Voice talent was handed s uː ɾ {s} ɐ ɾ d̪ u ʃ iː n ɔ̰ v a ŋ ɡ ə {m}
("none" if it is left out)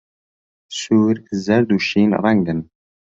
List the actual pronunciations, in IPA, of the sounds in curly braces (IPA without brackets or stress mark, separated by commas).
z, n